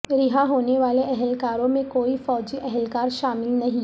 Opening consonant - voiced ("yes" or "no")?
yes